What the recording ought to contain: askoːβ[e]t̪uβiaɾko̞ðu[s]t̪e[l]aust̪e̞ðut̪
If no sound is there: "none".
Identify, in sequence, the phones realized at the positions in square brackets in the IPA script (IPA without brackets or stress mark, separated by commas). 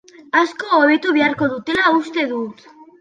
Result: e, none, l